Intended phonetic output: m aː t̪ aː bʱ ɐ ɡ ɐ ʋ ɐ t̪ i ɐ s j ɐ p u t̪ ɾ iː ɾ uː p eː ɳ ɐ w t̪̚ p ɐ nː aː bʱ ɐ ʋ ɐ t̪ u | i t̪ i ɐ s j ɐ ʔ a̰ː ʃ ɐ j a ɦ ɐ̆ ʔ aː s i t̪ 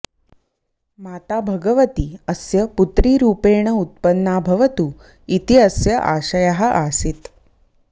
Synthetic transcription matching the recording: m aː t̪ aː bʱ ɐ ɡ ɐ ʋ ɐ t̪ i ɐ s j ɐ p u t̪ ɾ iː ɾ uː p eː ɳ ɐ u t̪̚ p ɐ nː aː bʱ ɐ ʋ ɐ t̪ u | i t̪ i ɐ s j ɐ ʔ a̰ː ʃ ɐ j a ɦ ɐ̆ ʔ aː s i t̪

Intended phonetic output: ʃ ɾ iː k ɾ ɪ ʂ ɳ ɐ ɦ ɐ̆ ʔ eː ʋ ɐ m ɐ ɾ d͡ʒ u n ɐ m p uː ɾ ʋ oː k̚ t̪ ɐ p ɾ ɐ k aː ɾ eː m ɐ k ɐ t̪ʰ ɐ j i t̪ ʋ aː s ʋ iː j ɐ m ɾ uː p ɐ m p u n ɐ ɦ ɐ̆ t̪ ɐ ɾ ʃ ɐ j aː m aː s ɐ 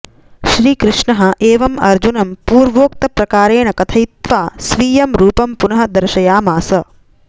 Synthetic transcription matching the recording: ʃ ɾ iː k ɾ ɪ ʂ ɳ ɐ ɦ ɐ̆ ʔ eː ʋ ɐ m ɐ ɾ d͡ʒ u n ɐ m p uː ɾ ʋ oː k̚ t̪ ɐ p ɾ ɐ k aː ɾ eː ɳ ɐ k ɐ t̪ʰ ɐ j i t̪ ʋ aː s ʋ iː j ɐ m ɾ uː p ɐ m p u n ɐ ɦ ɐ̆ d̪ ɐ ɾ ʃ ɐ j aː m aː s ɐ

